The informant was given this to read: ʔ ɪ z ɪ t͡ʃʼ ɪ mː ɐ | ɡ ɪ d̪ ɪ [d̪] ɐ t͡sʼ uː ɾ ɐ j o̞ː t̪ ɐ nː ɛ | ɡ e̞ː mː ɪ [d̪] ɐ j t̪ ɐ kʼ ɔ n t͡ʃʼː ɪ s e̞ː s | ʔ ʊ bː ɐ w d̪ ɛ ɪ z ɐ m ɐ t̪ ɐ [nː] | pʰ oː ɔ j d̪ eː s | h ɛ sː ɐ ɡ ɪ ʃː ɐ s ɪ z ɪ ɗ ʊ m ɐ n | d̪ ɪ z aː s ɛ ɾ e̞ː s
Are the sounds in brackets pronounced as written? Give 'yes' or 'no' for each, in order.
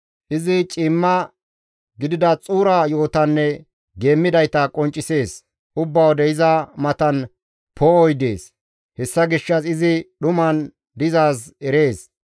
yes, yes, no

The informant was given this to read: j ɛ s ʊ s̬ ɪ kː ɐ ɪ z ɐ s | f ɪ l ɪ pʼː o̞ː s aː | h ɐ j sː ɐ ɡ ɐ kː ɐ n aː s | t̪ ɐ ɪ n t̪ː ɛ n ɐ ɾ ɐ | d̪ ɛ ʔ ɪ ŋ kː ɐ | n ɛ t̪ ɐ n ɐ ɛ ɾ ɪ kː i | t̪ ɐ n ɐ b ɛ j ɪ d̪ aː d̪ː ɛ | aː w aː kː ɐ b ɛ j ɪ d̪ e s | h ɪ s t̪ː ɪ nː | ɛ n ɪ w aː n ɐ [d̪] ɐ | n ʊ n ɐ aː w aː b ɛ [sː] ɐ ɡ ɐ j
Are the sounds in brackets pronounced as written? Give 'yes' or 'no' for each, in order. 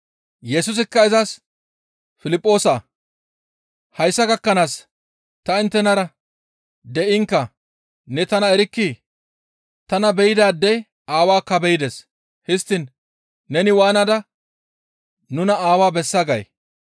yes, yes

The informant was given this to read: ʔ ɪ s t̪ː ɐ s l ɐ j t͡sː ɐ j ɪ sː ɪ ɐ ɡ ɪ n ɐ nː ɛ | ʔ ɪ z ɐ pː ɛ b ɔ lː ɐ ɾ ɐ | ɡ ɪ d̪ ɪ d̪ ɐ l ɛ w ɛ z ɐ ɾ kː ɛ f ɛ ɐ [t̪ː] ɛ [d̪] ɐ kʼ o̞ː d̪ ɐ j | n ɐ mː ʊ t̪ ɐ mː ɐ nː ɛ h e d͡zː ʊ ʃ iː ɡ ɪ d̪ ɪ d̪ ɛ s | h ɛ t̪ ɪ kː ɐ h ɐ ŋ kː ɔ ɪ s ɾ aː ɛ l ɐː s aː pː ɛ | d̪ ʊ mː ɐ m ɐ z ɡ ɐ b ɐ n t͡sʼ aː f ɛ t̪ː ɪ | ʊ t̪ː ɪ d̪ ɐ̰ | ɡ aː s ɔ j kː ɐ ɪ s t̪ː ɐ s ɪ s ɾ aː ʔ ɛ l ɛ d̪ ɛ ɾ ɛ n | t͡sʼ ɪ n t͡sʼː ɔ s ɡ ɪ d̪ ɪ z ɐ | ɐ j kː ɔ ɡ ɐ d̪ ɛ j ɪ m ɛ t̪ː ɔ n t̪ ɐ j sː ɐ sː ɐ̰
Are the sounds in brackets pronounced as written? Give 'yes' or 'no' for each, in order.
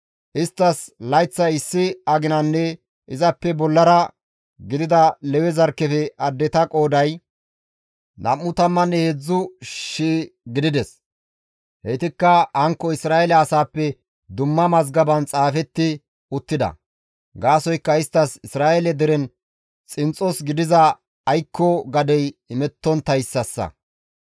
no, no

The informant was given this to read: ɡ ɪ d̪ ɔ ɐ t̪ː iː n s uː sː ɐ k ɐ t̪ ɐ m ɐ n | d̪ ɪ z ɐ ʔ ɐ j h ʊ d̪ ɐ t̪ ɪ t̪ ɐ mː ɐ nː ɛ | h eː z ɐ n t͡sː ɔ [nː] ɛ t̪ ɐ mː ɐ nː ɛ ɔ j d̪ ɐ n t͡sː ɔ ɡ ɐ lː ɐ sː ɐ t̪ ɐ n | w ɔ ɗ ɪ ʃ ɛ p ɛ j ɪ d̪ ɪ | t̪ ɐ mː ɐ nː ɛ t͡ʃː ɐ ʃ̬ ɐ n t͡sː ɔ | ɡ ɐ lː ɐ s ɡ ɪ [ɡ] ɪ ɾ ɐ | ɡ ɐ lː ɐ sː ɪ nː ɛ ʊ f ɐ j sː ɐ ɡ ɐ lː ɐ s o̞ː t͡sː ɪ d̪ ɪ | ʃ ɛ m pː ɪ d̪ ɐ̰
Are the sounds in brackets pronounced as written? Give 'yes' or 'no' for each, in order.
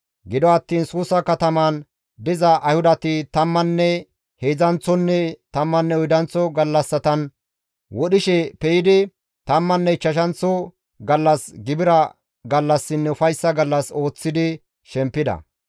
yes, no

